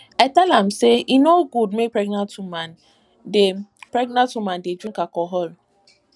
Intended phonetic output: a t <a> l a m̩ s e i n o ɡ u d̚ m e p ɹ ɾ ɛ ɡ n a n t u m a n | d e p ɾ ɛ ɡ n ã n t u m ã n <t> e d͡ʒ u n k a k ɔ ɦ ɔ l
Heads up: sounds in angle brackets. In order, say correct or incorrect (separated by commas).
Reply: incorrect, incorrect